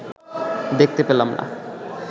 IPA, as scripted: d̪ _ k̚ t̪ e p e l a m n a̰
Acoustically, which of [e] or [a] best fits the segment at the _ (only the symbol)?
e